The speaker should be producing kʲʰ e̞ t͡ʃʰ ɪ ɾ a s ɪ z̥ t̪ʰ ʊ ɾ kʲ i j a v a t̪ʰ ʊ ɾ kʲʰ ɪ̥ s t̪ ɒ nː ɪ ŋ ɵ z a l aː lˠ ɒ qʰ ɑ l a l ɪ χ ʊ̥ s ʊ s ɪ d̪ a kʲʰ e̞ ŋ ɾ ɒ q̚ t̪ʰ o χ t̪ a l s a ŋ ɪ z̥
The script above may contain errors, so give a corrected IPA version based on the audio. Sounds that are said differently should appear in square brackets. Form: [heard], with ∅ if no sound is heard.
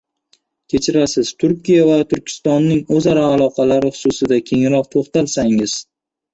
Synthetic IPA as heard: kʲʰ e̞ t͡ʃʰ ɪ ɾ a s ɪ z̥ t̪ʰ ʊ ɾ kʲ i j a v a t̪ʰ ʊ ɾ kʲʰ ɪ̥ s t̪ ɒ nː ɪ ŋ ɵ z a [ɾ] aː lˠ ɒ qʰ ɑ l a [ɾ] ɪ χ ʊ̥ s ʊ s ɪ d̪ a kʲʰ e̞ ŋ ɾ ɒ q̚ t̪ʰ o χ t̪ a l s a ŋ ɪ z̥